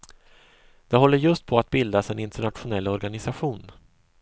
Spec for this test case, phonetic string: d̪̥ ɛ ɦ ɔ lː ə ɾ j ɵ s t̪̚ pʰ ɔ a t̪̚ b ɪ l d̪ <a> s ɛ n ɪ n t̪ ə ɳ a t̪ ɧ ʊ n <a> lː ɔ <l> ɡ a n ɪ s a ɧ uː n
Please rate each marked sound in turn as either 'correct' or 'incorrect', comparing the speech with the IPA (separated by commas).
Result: correct, incorrect, incorrect